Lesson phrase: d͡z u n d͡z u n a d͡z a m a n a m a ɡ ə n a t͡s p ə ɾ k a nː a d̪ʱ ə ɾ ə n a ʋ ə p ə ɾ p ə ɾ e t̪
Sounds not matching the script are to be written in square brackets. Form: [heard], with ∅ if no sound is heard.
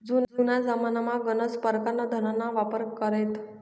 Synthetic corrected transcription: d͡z u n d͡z u n a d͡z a m a n a m a ɡ ə n [ə] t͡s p ə ɾ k a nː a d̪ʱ ə ɾ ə n a ʋ [a] p ə ɾ [k] ə ɾ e t̪